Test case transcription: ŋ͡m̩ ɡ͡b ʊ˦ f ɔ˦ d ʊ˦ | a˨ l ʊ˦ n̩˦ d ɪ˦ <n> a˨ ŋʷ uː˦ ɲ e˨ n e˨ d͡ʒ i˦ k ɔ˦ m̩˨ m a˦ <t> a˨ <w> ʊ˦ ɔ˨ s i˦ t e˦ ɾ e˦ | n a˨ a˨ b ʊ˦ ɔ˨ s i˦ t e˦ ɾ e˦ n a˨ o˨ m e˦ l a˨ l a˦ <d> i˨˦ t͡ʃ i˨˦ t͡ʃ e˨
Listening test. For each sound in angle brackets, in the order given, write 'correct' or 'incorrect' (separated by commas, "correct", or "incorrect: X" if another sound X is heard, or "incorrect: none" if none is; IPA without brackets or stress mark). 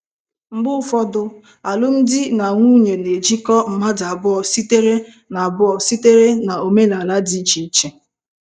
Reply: correct, incorrect: d, incorrect: b, correct